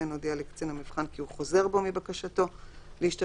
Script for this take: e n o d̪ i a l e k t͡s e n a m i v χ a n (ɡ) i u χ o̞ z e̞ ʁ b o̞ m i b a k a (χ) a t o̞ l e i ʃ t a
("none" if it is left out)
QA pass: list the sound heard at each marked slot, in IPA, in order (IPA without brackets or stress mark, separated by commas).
k, ʃ